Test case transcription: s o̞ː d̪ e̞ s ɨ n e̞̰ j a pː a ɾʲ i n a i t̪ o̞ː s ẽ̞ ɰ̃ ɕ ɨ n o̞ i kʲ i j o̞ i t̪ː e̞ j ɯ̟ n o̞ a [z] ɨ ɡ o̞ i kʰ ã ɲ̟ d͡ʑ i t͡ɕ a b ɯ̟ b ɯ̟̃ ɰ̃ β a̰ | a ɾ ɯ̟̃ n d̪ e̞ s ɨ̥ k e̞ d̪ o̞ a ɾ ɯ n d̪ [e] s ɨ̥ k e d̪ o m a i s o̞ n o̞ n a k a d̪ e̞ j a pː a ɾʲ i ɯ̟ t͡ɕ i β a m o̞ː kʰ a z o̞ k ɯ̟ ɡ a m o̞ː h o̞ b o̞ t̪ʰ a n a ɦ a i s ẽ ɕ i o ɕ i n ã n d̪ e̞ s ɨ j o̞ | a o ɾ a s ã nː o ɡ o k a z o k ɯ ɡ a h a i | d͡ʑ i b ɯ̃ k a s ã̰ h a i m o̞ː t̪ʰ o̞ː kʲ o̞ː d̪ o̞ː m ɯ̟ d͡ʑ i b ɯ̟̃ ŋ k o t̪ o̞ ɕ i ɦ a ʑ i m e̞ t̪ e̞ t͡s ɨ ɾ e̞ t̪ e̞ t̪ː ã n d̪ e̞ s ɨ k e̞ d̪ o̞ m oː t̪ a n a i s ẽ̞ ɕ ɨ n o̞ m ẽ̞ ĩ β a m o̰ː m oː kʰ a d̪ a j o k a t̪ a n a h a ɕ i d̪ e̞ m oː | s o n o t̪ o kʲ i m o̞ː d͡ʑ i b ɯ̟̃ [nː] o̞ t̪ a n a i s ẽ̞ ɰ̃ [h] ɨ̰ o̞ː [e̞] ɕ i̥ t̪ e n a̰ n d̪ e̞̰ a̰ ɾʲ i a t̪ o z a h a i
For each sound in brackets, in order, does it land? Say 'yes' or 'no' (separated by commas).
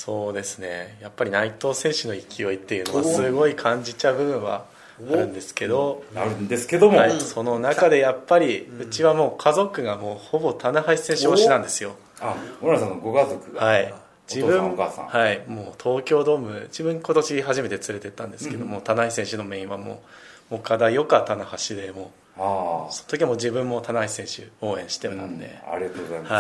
no, yes, no, no, no